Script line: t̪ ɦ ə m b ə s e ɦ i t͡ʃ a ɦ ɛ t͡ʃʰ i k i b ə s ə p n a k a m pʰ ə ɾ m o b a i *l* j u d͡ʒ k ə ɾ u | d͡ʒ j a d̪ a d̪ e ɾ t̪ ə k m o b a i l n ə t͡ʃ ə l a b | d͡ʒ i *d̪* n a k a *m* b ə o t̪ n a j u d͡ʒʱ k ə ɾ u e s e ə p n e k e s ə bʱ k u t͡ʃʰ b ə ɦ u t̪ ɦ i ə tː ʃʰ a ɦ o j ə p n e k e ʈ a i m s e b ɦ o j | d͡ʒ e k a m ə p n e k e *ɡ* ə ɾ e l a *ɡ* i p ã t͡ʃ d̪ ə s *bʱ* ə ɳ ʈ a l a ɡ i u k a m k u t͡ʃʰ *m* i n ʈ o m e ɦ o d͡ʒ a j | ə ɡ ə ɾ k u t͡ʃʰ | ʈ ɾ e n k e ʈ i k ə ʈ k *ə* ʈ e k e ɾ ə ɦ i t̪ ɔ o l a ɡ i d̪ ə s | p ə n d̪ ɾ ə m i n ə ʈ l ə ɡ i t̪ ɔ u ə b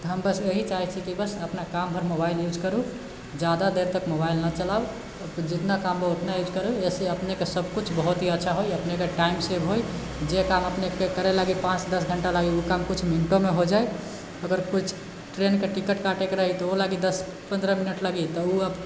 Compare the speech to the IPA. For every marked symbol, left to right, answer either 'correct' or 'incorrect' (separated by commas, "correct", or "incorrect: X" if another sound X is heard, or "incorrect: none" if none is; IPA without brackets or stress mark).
correct, incorrect: t̪, correct, incorrect: k, correct, incorrect: ɡʱ, correct, incorrect: a